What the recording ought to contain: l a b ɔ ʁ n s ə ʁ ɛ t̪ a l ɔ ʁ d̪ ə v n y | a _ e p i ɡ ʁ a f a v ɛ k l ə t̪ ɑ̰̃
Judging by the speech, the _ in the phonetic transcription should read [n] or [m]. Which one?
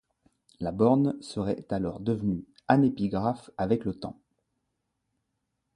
n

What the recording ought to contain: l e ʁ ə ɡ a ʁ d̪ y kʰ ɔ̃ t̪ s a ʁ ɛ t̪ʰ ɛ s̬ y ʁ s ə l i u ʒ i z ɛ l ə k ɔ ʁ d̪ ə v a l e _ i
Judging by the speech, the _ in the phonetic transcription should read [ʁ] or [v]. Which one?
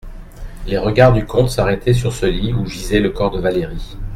ʁ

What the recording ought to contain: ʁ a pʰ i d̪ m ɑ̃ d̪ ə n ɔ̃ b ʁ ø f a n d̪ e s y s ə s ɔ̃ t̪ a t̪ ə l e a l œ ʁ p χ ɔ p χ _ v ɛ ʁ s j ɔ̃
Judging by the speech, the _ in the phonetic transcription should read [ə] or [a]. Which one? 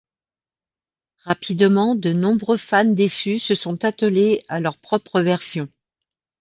ə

